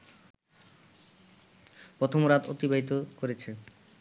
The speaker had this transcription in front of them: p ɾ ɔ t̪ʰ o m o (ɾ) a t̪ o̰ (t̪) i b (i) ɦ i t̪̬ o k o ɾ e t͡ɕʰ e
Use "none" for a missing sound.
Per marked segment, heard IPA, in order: ɾ, t̪, a

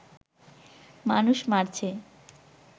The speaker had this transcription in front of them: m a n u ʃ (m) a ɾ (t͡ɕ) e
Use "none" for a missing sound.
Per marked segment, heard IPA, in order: m, t͡ɕʰ

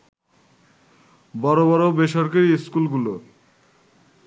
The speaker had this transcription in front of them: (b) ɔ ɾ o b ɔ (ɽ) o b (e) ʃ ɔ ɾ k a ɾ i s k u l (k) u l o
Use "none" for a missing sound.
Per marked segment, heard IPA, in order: b, ɾ, e, ɡ

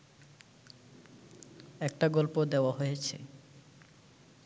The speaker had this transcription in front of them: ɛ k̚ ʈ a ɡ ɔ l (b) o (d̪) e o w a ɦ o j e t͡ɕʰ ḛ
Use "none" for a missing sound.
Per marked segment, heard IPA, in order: p, d̪

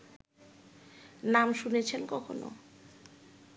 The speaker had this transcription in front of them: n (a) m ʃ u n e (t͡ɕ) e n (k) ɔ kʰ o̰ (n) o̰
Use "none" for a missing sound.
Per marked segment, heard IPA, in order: a, t͡ɕʰ, k, n

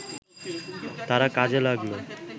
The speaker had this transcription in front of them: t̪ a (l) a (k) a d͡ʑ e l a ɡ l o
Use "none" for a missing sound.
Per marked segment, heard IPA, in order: ɾ, k

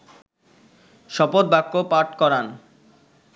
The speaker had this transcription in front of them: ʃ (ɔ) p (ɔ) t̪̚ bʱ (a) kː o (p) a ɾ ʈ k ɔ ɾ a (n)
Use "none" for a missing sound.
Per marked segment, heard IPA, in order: ɔ, o, a, p, n

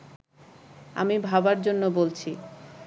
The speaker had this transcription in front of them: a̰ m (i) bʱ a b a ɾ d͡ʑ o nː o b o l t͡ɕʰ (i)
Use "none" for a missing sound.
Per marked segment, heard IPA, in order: i, i

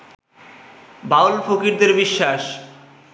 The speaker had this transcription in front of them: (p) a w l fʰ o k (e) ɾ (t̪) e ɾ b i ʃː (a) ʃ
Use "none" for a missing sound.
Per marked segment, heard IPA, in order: b, i, d̪, a

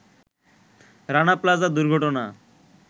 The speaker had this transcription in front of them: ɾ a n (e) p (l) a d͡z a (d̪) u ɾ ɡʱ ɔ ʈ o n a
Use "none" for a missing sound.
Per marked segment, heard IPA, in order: a, l, d̪

